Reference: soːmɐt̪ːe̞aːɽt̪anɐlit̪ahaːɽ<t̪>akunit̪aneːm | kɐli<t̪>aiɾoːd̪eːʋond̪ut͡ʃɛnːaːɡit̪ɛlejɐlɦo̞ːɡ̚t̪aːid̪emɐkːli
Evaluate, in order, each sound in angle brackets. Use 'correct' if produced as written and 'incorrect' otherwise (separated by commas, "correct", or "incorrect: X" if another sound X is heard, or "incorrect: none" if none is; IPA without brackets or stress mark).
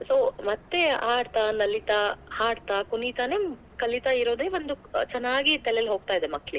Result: correct, correct